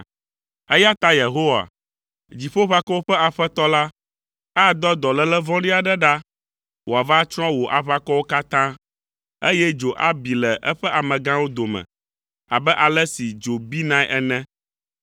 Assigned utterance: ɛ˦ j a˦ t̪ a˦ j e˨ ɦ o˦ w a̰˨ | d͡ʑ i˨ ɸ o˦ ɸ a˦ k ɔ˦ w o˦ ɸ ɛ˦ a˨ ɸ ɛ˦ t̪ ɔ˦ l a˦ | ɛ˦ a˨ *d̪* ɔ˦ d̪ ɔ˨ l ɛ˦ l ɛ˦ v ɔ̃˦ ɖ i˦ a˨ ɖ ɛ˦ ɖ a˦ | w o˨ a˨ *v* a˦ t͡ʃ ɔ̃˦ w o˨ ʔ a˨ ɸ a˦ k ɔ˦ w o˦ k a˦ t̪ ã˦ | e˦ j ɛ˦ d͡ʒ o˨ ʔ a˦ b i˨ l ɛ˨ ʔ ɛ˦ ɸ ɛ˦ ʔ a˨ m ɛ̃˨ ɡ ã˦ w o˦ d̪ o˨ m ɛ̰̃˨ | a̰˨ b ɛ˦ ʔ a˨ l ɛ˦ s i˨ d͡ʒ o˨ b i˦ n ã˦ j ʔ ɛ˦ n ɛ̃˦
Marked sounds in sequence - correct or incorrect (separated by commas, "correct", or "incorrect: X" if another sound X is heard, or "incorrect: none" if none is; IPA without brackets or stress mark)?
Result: correct, correct